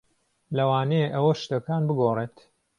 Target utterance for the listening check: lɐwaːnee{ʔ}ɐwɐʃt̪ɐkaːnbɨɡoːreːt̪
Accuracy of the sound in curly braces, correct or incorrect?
correct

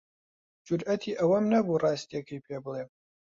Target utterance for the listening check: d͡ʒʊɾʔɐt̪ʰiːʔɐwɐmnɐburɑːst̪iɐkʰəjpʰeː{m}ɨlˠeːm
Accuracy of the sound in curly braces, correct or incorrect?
incorrect: b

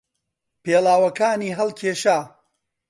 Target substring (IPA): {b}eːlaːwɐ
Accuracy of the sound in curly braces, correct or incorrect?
incorrect: p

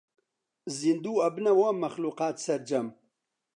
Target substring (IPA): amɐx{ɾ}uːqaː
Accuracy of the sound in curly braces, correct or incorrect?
incorrect: l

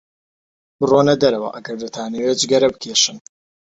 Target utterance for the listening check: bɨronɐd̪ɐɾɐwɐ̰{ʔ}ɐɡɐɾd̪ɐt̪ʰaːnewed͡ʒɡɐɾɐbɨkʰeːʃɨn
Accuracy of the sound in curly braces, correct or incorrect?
correct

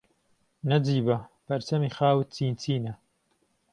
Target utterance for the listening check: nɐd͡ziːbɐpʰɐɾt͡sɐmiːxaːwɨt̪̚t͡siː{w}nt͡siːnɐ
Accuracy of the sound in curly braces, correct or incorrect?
incorrect: none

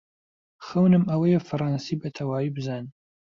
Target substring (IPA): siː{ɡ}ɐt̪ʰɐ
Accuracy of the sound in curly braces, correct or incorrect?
incorrect: b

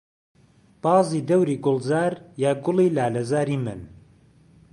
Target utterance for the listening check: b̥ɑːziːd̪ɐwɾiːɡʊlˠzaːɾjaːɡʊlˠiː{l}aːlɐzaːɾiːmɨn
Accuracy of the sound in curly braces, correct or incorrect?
correct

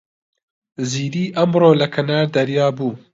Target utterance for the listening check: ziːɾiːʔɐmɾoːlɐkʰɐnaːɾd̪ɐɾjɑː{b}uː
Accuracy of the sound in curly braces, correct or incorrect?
correct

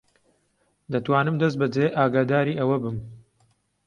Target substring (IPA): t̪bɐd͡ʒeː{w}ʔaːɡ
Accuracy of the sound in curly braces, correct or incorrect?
incorrect: none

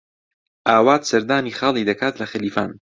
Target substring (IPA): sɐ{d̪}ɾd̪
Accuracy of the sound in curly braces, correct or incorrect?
incorrect: none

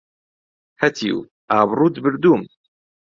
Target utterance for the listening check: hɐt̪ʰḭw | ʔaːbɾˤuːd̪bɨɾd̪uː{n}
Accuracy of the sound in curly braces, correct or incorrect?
incorrect: m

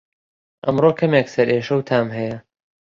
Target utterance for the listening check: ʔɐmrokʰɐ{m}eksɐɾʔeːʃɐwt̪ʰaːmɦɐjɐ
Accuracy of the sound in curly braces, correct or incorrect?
correct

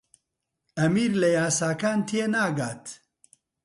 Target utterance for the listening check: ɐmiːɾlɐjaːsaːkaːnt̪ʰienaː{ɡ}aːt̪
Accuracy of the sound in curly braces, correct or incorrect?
correct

